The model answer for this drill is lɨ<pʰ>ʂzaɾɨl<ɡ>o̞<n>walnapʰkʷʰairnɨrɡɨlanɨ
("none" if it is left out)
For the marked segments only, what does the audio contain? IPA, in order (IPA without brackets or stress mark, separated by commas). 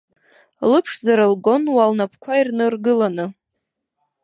pʰ, ɡ, n